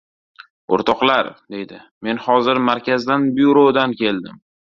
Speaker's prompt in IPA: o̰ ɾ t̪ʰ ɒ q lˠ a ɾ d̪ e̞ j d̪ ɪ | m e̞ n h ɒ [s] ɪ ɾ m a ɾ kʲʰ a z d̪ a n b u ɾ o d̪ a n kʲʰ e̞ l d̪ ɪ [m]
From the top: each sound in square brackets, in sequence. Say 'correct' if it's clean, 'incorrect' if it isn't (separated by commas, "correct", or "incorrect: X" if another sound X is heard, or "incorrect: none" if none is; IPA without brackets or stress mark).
incorrect: z, correct